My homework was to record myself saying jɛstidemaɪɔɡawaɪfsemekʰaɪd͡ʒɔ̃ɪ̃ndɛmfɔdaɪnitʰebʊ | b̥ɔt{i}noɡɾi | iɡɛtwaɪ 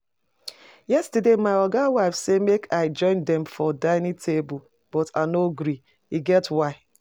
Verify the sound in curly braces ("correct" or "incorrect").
incorrect